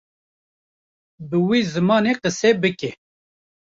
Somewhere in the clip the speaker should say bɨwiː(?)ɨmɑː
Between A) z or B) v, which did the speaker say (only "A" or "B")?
A